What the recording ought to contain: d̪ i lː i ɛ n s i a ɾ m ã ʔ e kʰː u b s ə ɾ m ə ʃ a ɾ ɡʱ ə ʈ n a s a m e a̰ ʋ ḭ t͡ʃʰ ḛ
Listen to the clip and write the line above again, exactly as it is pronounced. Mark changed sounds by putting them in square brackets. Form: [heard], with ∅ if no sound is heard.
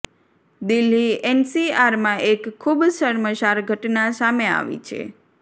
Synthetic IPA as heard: d̪ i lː i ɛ n s i a ɾ m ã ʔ e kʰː u b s ə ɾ m ə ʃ a ɾ ɡʱ ə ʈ n a s a m e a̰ ʋ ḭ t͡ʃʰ ḛ